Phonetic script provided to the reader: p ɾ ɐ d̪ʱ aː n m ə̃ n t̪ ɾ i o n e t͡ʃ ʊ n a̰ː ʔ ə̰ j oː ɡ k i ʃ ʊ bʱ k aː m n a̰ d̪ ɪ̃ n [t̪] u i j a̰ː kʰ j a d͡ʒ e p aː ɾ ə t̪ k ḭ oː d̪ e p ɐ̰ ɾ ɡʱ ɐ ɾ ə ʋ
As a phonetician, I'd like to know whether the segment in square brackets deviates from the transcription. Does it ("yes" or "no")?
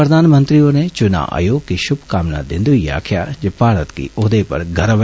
yes